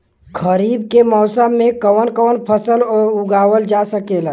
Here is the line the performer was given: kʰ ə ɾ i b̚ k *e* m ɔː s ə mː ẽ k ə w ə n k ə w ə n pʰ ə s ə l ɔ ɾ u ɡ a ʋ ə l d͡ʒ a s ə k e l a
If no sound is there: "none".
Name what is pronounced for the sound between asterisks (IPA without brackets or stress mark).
e